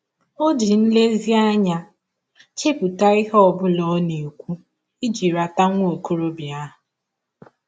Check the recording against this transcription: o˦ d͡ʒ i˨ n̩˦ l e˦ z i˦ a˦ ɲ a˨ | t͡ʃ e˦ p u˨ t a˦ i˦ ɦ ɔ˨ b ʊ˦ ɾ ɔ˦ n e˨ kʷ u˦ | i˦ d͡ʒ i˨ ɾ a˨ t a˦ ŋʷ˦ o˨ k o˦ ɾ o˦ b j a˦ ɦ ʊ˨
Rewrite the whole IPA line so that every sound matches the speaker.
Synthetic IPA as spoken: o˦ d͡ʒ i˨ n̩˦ l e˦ z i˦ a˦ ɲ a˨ | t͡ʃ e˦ p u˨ t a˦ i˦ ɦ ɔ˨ b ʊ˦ l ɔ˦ n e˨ kʷ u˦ | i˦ d͡ʒ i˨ ɾ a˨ t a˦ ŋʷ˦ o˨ k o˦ ɾ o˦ b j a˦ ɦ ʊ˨